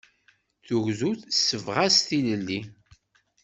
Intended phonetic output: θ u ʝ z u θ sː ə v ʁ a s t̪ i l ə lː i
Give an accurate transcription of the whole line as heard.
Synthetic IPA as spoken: θ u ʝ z u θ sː ə v ʁ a s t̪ i l ə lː i